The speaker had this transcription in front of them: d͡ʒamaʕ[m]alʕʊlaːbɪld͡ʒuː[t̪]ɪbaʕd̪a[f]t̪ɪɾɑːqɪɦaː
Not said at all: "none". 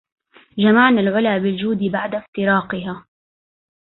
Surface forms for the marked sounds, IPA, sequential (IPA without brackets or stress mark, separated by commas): n, d̪, f